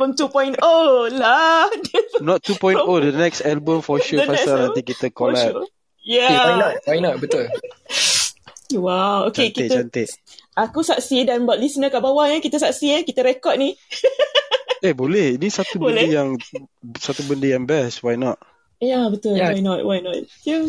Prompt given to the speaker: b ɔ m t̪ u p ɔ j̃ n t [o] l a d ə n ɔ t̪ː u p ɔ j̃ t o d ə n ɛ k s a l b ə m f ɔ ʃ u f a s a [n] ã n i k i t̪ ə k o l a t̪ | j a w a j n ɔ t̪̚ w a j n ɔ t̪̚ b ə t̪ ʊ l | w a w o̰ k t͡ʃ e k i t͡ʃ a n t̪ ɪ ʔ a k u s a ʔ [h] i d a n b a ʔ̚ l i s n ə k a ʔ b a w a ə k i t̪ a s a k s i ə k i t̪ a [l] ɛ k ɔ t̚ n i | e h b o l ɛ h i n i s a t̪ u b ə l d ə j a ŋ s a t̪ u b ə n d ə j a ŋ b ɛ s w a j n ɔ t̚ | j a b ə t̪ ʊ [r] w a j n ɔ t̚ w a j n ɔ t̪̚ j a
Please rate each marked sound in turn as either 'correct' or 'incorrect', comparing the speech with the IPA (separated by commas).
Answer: correct, correct, incorrect, incorrect, incorrect